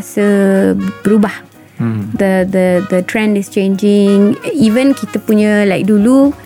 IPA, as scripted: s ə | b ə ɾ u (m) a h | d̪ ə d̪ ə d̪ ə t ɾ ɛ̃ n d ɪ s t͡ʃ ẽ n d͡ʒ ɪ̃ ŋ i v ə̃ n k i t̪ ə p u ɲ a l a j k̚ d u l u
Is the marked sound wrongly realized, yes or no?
yes